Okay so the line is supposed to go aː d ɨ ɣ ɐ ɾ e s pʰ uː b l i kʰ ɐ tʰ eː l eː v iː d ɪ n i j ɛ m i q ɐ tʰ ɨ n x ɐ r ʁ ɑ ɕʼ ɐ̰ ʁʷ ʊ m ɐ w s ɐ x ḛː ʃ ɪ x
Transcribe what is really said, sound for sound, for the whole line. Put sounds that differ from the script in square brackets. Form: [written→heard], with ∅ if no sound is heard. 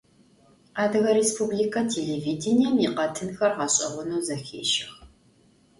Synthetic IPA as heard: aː d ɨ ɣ ɐ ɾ e s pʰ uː b l i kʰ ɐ tʰ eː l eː v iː d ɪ n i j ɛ m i q ɐ tʰ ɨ n x ɐ r ʁ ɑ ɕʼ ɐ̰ ʁʷ ʊ [m→n] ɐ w [s→z] ɐ x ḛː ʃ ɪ x